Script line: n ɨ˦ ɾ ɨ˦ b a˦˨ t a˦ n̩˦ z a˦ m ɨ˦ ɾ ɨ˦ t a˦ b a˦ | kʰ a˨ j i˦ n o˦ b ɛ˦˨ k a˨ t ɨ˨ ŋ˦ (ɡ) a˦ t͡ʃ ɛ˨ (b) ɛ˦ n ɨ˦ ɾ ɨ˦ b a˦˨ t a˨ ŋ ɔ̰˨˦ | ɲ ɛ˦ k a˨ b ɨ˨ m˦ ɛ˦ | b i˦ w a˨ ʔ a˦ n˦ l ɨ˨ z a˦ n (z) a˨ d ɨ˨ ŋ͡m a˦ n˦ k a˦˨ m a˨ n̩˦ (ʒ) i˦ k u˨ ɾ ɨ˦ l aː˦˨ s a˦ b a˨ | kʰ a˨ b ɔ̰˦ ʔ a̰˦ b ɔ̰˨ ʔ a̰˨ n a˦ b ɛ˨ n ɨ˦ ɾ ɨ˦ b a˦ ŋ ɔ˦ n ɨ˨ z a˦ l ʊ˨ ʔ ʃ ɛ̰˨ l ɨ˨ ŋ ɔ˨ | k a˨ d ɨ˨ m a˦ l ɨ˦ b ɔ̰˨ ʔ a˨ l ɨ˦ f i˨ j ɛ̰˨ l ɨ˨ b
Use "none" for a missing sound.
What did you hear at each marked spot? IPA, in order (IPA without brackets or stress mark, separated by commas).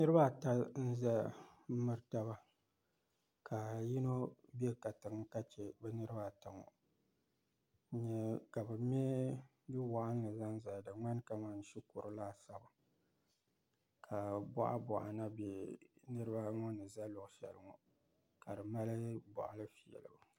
k, b, z, ʃ